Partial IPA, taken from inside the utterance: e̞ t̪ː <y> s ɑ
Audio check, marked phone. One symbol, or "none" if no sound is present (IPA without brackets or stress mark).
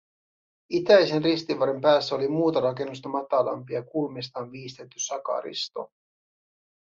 y